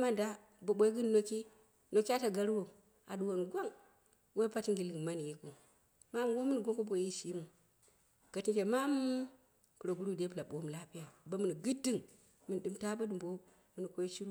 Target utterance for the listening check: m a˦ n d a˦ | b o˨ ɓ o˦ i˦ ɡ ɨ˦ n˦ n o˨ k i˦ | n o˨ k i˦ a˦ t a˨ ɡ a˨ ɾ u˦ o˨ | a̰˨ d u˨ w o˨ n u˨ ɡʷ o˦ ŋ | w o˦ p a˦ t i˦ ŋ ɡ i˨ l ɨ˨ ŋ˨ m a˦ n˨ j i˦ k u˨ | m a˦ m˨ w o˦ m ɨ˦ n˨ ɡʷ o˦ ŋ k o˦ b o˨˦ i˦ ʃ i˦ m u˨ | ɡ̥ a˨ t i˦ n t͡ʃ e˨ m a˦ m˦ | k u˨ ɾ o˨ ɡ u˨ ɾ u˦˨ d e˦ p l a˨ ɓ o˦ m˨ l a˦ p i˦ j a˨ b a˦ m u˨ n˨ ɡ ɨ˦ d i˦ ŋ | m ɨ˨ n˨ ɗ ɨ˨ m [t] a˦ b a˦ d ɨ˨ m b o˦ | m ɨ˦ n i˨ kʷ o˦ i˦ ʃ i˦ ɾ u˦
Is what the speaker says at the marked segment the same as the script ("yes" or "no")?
yes